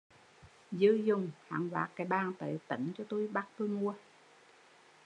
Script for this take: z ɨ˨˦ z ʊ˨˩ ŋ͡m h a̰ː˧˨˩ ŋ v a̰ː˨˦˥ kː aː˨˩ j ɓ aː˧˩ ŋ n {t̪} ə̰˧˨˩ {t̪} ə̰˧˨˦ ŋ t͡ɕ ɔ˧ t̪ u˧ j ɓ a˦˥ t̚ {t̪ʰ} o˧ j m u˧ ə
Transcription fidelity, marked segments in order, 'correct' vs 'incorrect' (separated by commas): correct, correct, incorrect